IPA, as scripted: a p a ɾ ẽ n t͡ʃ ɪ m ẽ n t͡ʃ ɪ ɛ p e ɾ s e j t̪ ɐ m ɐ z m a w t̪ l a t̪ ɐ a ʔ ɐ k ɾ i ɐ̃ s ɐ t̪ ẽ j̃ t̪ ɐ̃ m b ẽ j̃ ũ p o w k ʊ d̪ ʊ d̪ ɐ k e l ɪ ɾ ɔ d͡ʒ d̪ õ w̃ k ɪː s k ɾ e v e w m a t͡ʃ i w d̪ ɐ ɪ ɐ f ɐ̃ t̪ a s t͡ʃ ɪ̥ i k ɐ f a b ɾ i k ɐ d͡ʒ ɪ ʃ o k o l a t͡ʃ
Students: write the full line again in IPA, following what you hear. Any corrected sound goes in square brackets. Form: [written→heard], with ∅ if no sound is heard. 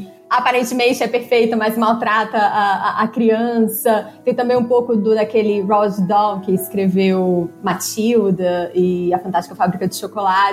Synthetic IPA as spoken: a p a ɾ ẽ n t͡ʃ ɪ m ẽ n t͡ʃ ɪ ɛ p e ɾ [s→f] e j t̪ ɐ m ɐ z m a w t̪ [l→ɾ] a t̪ ɐ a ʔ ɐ k ɾ i ɐ̃ s ɐ t̪ ẽ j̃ t̪ ɐ̃ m b ẽ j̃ ũ p o w k ʊ d̪ ʊ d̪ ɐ k e l ɪ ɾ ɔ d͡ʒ d̪ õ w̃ k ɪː s k ɾ e v e w m a t͡ʃ i w d̪ ɐ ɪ ɐ f ɐ̃ t̪ a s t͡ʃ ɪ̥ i k ɐ f a b ɾ i k ɐ d͡ʒ ɪ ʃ o k o l a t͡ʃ